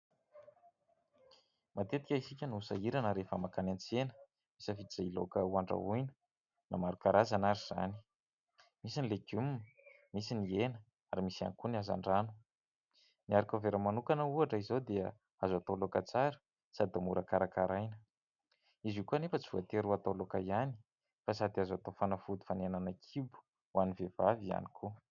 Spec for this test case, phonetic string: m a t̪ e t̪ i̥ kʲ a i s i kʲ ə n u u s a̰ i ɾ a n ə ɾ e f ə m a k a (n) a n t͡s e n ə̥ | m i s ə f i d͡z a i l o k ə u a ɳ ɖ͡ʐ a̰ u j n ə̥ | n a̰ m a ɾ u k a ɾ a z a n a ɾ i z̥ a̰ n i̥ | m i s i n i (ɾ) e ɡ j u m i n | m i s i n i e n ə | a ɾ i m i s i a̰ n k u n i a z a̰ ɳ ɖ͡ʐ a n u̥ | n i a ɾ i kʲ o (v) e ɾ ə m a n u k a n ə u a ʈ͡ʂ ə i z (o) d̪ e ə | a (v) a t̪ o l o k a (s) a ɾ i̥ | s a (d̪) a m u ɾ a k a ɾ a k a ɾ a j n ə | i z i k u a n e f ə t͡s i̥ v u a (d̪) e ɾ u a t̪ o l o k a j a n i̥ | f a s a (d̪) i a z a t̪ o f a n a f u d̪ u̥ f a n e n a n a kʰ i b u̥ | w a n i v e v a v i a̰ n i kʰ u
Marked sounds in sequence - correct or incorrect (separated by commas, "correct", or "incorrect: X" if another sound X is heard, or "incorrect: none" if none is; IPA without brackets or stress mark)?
correct, incorrect: l, correct, correct, incorrect: z, incorrect: t͡s, correct, incorrect: t̪, correct